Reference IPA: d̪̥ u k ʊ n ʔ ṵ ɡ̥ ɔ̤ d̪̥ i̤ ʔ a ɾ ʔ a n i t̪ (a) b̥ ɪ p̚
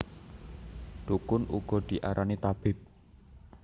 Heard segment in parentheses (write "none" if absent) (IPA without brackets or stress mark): a